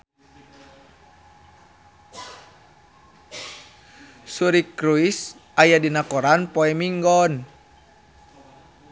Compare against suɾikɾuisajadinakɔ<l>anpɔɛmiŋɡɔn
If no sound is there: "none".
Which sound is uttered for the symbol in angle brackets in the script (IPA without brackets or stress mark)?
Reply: ɾ